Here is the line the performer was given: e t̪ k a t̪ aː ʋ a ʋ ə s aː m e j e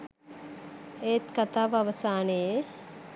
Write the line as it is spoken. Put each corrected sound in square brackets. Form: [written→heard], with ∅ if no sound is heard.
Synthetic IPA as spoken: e t̪ k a t̪ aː ʋ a ʋ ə s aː [m→n] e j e